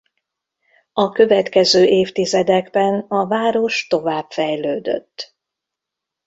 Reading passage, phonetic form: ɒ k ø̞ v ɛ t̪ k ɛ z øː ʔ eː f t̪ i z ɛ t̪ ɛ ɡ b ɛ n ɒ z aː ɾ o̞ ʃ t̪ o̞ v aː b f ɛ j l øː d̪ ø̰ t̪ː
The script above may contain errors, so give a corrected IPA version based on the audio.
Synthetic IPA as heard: ɒ k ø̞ v ɛ t̪ k ɛ z øː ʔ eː f t̪ i z ɛ d̪ ɛ ɡ b ɛ n ɒ v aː ɾ o̞ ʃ t̪ o̞ v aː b f ɛ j l øː d̪ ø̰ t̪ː